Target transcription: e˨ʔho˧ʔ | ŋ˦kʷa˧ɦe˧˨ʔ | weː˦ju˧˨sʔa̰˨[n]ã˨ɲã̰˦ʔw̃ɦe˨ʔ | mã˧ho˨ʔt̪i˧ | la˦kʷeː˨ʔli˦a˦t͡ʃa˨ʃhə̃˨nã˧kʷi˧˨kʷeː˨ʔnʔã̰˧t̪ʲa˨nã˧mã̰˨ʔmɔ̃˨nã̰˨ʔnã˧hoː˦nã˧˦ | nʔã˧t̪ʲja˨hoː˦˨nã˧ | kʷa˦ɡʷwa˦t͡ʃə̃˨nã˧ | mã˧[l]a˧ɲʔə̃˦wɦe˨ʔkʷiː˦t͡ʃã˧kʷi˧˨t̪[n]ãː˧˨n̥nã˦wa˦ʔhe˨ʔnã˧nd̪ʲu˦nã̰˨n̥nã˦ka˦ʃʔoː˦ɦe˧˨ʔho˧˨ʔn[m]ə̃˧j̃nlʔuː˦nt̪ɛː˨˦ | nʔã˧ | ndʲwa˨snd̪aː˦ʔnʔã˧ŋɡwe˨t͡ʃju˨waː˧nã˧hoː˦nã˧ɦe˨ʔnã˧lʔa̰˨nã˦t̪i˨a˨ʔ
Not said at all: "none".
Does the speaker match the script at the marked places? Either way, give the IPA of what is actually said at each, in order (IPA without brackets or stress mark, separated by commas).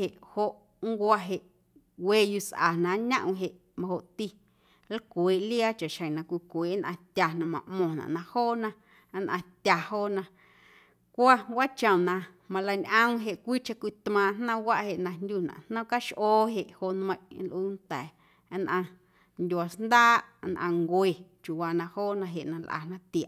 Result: n, l, m, m